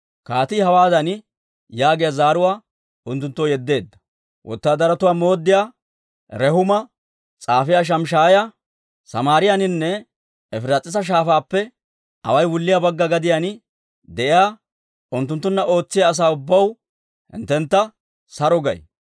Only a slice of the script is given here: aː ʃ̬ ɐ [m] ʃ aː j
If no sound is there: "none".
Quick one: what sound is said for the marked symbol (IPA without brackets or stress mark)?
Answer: m